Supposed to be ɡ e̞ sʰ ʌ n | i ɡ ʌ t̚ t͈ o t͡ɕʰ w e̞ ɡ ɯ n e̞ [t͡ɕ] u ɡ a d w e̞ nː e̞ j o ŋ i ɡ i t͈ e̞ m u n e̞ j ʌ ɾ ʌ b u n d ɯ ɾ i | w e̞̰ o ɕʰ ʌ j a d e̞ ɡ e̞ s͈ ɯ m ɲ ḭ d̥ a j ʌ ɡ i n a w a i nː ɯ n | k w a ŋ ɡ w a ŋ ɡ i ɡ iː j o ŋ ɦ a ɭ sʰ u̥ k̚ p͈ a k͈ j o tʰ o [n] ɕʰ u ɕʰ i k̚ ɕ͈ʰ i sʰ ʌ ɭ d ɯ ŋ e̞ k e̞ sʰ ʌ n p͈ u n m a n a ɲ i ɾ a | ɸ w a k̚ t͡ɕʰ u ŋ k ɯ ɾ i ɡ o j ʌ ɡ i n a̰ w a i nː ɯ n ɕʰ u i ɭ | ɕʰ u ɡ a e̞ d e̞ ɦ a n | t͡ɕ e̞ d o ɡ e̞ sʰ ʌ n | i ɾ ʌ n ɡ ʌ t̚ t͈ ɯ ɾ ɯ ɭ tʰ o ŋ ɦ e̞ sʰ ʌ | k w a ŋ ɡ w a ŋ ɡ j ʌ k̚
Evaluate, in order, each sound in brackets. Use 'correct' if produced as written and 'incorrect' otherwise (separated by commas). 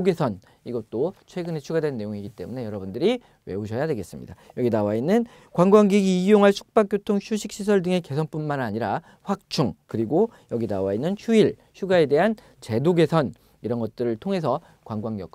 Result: incorrect, incorrect